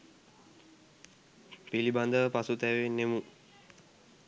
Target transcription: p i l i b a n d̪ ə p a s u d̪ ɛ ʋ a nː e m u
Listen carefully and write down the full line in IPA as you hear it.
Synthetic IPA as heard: p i l i b a n d̪ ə p a s u t̪ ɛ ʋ e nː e m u